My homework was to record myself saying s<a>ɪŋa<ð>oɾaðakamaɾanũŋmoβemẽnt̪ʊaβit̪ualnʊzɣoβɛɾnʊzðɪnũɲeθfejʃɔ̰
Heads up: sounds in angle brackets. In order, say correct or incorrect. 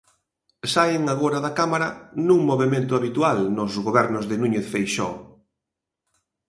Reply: correct, incorrect: ɣ

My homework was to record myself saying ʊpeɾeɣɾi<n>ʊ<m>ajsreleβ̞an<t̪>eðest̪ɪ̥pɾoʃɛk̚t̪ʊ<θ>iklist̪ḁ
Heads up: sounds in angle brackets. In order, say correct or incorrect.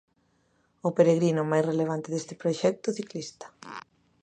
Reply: correct, correct, correct, correct

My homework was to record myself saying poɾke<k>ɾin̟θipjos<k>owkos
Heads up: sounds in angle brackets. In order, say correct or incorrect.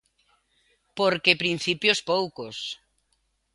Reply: incorrect: p, incorrect: p

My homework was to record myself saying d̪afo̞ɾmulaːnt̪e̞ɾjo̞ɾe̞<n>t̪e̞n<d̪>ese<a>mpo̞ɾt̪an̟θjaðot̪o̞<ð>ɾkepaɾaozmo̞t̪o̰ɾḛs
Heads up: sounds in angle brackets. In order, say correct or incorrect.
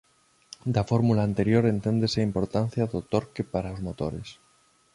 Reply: correct, correct, incorrect: i, incorrect: none

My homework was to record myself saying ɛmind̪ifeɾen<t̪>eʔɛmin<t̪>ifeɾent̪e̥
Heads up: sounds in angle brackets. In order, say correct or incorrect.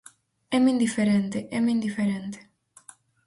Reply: correct, incorrect: d̪

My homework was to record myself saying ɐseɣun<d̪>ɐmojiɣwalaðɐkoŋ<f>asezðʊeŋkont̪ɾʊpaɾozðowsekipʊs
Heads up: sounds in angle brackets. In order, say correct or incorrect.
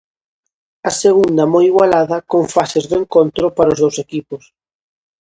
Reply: correct, correct

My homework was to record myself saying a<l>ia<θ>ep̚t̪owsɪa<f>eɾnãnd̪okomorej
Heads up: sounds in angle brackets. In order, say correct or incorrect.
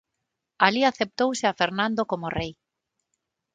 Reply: correct, correct, correct

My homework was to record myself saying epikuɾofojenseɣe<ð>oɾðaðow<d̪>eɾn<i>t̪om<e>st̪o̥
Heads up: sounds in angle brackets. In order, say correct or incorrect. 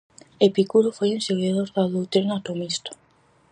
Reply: correct, incorrect: t̪, incorrect: a, incorrect: i

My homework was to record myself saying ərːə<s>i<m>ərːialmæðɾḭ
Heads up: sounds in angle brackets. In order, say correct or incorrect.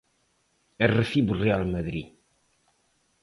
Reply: incorrect: f, incorrect: b

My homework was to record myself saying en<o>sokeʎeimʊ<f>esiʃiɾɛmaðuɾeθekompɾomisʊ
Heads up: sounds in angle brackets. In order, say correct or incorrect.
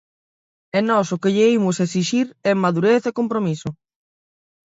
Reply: incorrect: ɔ, incorrect: s

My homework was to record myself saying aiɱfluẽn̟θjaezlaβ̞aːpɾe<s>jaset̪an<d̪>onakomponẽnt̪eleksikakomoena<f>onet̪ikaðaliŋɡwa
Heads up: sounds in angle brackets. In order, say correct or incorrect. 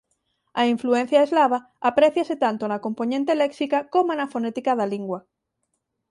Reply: incorrect: θ, incorrect: t̪, correct

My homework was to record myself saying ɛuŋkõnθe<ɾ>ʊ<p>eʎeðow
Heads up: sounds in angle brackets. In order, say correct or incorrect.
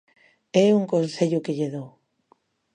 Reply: incorrect: ʎ, incorrect: k

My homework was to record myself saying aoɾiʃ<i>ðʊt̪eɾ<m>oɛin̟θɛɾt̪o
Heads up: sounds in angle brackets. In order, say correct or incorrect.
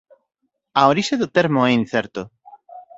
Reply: incorrect: e, correct

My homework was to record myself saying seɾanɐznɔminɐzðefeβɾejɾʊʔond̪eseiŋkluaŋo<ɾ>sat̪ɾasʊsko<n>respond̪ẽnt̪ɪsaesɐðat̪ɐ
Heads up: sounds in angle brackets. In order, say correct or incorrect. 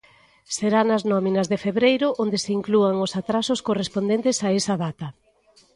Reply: incorrect: none, incorrect: none

